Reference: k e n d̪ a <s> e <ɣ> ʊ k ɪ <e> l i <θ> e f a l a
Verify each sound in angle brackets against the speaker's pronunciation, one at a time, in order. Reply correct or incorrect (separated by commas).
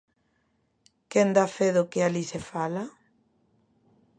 incorrect, incorrect, incorrect, incorrect